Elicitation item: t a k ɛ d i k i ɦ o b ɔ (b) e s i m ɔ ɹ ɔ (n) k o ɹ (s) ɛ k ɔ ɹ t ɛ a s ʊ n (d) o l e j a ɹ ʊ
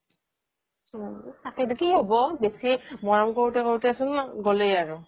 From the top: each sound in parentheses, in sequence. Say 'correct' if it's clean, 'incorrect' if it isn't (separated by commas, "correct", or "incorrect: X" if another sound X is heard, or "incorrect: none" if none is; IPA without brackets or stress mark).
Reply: correct, incorrect: m, incorrect: t, incorrect: ɡ